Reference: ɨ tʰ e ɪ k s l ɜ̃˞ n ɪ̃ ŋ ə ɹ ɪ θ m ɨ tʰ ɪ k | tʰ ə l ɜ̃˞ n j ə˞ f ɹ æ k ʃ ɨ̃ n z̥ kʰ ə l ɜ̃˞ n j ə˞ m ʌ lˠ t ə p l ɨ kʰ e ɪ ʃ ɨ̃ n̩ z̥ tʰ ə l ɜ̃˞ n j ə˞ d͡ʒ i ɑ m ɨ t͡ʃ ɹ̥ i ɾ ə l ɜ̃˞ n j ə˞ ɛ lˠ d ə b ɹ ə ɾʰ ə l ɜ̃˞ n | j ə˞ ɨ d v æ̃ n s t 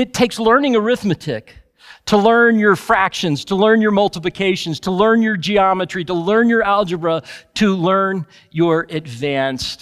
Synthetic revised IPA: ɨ tʰ e ɪ k s l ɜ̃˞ n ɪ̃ ŋ ə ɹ ɪ θ m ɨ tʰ ɪ k | tʰ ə l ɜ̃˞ n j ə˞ f ɹ æ k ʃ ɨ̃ n z̥ tʰ ə l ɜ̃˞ n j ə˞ m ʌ lˠ t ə p l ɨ kʰ e ɪ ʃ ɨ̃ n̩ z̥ tʰ ə l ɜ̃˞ n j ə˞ d͡ʒ i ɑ m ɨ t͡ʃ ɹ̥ i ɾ ə l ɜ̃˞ n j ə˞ æ lˠ d͡ʒ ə b ɹ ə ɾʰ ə l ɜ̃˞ n | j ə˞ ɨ d v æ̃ n s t